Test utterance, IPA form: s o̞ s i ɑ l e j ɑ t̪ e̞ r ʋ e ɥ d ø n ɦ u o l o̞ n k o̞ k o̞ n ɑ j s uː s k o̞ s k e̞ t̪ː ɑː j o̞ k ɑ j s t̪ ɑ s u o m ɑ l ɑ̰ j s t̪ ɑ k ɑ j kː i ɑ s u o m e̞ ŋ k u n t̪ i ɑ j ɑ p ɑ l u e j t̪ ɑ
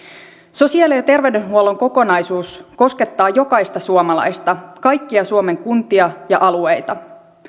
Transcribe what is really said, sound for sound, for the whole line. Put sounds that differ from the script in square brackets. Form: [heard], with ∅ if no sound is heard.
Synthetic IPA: s o̞ s i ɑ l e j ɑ t̪ e̞ r ʋ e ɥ d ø n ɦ u o l o̞ [ŋ] k o̞ k o̞ n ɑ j s uː s k o̞ s k e̞ t̪ː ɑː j o̞ k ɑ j s t̪ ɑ s u o m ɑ l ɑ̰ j s t̪ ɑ k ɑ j kː i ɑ s u o m e̞ ŋ k u n t̪ i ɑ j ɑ [ʔ] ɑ l u e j t̪ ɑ